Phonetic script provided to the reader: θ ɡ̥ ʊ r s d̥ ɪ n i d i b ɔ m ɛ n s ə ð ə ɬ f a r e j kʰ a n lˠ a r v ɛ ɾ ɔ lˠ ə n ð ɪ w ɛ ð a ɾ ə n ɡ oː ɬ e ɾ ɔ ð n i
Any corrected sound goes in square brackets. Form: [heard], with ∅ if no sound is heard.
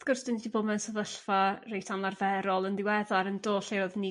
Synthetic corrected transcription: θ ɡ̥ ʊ r s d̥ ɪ n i d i b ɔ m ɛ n s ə ð ə ɬ f a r e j [tʰ] a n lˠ a r v ɛ ɾ ɔ lˠ ə n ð ɪ w ɛ ð a ɾ ə n [d] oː ɬ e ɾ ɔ ð n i

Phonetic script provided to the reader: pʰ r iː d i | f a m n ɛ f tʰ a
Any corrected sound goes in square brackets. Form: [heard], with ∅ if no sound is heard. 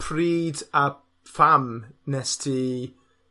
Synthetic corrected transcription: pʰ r iː d [a] | f a m n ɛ [s] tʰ [i]

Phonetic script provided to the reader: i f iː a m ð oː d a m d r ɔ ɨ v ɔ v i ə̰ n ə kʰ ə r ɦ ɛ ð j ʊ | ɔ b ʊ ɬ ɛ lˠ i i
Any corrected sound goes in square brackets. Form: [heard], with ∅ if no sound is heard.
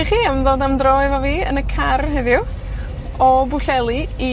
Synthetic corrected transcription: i [χ] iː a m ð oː d a m d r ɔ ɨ v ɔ v [iː] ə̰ n ə kʰ [a] r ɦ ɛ ð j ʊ | ɔ b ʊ ɬ ɛ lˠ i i

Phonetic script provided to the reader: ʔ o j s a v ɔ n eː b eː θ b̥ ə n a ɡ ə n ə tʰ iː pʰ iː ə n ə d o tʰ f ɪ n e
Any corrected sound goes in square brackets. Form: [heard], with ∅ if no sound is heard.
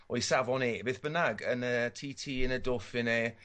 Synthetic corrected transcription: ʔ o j s a v ɔ n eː b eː θ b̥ ə n a ɡ ə n ə tʰ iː [tʰ] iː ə n ə d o [∅] f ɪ n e

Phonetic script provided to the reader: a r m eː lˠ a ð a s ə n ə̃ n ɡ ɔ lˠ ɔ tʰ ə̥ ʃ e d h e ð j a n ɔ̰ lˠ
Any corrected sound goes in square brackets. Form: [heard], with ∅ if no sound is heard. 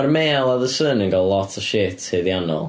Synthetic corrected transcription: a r m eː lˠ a ð [ə] s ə n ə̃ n ɡ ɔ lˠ ɔ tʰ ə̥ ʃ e [t] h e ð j a n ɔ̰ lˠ

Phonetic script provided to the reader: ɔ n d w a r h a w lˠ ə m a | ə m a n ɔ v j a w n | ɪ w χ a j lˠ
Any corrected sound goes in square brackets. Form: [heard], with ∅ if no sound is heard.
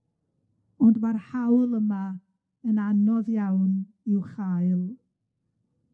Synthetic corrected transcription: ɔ n d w a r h a w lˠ ə m a | ə [n] a n ɔ [ð] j a w n | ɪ w χ a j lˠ

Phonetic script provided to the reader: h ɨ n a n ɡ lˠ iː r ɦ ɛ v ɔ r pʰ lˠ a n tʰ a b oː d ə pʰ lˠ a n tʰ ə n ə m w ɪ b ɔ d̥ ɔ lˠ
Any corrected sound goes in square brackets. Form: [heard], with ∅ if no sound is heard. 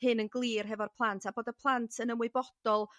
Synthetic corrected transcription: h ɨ n [ə] n ɡ lˠ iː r ɦ ɛ v ɔ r pʰ lˠ a n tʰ a b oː d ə pʰ lˠ a n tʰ ə n ə m w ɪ b ɔ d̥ ɔ lˠ

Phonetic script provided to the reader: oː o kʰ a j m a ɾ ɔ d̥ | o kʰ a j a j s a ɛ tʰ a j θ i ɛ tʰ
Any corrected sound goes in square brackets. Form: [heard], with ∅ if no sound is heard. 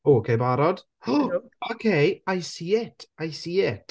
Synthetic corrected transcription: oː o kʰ [e] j [b] a ɾ ɔ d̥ | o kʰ [e] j a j s [i] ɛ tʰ a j [s] i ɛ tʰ

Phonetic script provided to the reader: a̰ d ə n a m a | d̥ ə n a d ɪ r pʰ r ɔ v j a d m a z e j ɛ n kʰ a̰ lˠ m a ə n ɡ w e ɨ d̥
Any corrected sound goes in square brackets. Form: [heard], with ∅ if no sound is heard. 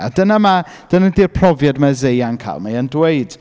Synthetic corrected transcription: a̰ d ə n a m a | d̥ ə n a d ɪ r pʰ r ɔ v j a d m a z e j [a] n kʰ a̰ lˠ m a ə n [d] w e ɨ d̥

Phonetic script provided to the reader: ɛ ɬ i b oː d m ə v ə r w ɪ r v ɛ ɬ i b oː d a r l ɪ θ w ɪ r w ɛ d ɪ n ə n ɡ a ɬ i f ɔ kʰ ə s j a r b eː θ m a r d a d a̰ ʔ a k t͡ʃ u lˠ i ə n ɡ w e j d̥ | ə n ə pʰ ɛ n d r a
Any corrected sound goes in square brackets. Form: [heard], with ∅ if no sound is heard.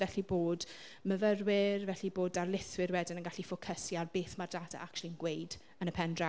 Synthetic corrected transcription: ɛ ɬ i b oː d m ə v ə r w ɪ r v ɛ ɬ i b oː d a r l ɪ θ w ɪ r w ɛ d ɪ n ə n ɡ a ɬ i f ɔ kʰ ə s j a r b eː θ m a r d a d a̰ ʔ a k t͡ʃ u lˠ i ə n ɡ w e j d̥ | ə n ə pʰ ɛ n d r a

